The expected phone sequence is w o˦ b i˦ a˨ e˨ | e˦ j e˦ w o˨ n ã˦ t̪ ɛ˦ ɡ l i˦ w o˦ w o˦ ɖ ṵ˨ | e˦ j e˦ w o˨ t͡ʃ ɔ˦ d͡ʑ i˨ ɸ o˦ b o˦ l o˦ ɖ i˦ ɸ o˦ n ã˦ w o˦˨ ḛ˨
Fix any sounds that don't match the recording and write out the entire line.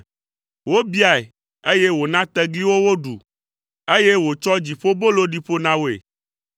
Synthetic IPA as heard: w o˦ b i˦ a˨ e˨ | e˦ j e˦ w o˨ n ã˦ t̪ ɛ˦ ɡ l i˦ w o˦ w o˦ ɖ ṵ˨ | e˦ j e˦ w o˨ t͡ʃ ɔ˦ d͡ʑ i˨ ɸ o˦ b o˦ l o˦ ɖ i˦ ɸ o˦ n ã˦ w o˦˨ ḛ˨